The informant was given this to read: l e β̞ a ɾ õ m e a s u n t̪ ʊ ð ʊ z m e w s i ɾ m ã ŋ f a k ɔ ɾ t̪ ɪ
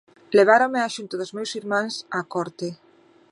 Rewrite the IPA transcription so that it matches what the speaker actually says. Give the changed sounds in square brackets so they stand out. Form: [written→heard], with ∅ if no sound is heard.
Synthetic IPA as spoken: l e β̞ a ɾ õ m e a [s→ʃ] u n t̪ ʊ ð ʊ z m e w s i ɾ m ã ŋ [f→s] a k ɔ ɾ t̪ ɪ